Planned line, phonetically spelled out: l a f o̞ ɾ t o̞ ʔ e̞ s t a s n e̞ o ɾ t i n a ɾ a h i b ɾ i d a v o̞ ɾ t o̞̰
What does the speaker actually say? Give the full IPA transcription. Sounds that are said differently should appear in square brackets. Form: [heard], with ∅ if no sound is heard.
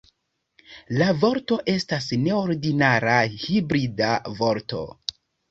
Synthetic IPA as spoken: l a [v] o̞ ɾ t o̞ ʔ e̞ s t a s n e̞ o ɾ [d] i n a ɾ a h i b ɾ i d a v o̞ ɾ t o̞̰